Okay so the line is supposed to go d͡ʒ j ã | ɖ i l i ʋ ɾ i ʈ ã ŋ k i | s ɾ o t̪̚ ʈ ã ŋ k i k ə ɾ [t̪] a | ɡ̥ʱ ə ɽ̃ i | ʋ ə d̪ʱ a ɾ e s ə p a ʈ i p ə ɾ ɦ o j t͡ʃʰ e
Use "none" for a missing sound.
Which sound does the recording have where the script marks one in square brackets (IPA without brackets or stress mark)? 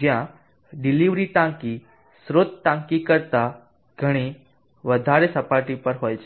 t̪